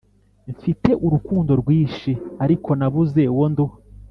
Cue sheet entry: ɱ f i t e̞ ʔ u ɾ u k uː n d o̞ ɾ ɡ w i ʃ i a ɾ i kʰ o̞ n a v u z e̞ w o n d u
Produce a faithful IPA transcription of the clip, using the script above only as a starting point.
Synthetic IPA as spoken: ɱ f i t e̞ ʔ u ɾ u k uː n d o̞ ɾ ɡ w iː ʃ i a ɾ i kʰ o̞ n a β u z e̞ w o n d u